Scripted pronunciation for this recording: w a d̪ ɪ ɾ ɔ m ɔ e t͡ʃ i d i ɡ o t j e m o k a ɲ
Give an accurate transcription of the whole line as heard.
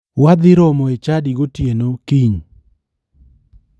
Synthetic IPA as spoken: w a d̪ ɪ ɾ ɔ m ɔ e t͡ʃ a d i ɡ o t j e n o k i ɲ